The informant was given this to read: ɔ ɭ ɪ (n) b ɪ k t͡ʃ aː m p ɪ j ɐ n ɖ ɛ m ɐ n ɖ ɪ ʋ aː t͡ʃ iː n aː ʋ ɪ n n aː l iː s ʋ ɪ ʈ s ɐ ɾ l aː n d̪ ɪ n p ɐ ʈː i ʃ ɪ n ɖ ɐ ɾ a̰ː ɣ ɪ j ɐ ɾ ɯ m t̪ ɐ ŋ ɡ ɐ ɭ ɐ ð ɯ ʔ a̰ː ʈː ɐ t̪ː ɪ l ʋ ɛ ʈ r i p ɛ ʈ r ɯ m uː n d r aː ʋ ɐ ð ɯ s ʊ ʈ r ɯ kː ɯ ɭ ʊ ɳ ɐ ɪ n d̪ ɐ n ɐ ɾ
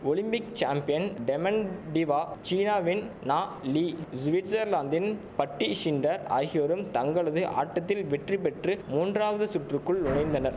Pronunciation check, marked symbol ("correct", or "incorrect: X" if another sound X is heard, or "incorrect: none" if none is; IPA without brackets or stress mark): incorrect: m